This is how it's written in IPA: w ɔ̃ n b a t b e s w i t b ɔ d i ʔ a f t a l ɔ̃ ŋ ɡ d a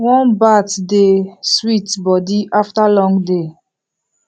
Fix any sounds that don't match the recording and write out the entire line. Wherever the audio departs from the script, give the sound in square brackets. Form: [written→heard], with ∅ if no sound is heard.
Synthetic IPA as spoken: w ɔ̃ n b a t [b→d] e s w i t b ɔ d i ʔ a f t a l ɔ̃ ŋ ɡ d [a→e]